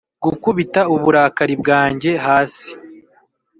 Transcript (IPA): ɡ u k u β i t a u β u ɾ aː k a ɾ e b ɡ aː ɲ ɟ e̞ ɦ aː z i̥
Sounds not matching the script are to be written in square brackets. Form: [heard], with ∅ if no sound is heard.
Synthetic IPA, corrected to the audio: ɡ u k u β i t a u β u ɾ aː k a ɾ [i] b ɡ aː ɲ ɟ e̞ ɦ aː [s] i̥